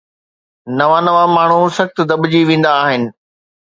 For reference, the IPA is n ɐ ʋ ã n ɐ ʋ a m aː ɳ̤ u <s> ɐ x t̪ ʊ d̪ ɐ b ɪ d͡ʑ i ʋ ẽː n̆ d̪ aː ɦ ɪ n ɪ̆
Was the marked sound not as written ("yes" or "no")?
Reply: no